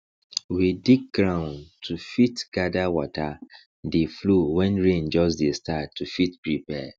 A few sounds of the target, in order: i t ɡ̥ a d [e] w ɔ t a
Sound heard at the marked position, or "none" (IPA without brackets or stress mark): a